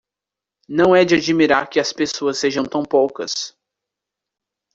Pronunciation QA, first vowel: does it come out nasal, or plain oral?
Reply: nasal